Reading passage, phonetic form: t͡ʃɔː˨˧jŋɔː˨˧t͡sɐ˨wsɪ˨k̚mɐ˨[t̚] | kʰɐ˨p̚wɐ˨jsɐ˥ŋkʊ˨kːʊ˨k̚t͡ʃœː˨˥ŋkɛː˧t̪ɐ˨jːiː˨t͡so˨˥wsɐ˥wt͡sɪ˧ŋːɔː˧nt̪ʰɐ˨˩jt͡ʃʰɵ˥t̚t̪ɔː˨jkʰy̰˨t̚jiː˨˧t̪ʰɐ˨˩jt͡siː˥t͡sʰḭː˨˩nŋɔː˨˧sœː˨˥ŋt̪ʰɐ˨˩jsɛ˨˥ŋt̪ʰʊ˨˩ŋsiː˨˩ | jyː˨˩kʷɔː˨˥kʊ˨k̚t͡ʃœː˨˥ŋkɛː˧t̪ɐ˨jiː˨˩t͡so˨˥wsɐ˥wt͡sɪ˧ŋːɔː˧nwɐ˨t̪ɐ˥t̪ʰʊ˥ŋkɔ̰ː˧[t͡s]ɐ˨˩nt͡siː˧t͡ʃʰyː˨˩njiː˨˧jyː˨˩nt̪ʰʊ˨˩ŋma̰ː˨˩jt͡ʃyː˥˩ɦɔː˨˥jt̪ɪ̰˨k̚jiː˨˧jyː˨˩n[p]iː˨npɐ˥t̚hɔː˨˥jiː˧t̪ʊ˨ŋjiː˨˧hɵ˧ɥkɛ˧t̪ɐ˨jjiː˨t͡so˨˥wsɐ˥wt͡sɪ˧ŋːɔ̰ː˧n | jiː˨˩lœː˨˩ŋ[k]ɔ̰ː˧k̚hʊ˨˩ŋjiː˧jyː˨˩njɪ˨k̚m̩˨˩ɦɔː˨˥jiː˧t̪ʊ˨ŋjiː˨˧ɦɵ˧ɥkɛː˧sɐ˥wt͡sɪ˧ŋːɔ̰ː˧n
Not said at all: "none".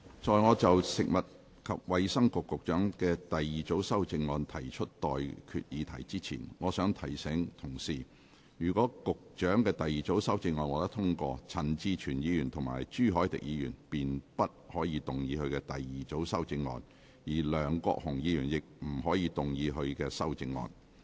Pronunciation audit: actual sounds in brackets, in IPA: t̚, t͡sʰ, p, k

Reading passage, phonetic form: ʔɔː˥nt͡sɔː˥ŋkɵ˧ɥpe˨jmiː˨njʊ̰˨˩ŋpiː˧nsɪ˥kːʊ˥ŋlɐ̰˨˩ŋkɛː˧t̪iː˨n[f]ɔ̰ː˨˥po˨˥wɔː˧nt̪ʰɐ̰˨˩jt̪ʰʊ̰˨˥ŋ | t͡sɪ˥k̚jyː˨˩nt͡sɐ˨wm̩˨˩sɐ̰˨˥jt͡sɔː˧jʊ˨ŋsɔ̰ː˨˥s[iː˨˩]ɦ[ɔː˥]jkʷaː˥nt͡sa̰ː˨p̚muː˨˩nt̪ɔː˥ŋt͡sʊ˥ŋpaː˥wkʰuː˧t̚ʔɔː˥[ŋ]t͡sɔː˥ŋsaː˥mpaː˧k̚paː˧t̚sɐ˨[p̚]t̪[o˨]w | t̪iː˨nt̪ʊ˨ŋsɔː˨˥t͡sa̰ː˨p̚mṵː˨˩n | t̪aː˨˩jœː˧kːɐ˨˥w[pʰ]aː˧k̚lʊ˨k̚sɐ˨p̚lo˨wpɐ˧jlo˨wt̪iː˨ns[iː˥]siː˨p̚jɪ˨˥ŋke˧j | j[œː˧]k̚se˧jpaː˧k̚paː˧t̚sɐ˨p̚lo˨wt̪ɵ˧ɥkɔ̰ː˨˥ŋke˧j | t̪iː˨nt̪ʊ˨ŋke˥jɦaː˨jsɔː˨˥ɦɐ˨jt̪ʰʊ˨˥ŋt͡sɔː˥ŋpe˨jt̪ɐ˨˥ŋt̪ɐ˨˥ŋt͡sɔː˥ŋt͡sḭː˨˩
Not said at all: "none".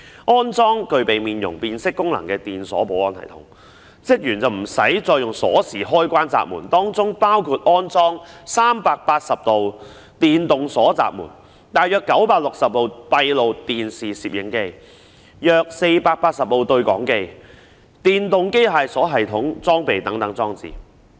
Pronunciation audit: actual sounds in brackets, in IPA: s, iː˨˩, ɔː˥, n, p̚, o˨, p, iː˨, œː˧

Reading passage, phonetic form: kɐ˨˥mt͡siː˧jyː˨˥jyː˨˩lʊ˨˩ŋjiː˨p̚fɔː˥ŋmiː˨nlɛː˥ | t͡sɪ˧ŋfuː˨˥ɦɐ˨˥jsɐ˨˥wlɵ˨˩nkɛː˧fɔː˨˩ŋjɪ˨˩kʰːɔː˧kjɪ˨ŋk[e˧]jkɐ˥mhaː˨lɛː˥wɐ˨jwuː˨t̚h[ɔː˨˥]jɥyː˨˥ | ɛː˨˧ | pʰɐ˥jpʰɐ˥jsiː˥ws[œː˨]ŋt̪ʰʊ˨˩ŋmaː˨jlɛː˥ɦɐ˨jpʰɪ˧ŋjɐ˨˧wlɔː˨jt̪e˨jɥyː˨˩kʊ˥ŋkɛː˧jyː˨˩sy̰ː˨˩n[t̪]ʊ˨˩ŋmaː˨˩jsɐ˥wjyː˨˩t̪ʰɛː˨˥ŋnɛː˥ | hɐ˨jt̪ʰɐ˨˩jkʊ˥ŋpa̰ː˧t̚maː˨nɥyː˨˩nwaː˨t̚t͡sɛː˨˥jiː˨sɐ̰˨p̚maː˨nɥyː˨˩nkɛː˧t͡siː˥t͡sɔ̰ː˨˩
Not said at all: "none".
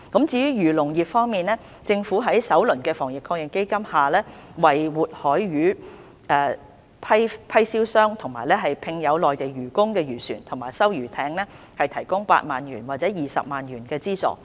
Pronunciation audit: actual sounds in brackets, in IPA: e˥, ɔː˨˥, œː˥, t̪ʰ

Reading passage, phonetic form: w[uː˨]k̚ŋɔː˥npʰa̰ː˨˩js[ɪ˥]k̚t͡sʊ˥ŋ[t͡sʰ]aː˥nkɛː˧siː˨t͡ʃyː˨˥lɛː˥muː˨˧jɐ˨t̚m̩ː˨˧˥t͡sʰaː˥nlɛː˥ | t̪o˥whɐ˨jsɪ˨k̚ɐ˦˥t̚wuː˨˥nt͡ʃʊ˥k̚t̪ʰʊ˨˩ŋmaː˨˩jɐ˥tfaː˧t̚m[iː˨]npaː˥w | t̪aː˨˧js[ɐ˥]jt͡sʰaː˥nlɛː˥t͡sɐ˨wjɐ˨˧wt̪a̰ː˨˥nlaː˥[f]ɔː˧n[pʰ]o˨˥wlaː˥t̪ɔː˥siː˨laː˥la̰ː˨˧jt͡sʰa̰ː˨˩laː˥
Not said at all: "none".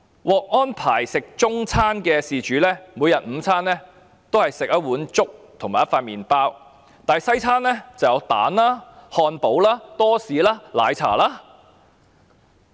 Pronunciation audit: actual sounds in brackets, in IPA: ɔː˨, ɪ˨, t͡sʰ, iː˨, ɐ˥, h, p

